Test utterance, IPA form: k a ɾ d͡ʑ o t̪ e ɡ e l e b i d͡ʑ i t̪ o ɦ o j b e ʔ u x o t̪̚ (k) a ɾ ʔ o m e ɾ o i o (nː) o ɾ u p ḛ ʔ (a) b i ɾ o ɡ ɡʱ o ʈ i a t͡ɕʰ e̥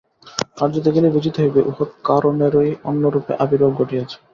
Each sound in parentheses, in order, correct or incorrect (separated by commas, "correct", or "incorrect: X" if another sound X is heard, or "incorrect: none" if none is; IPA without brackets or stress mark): correct, correct, correct